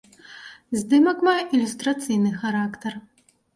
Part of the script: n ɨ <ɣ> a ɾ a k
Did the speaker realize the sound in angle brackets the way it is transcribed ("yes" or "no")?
no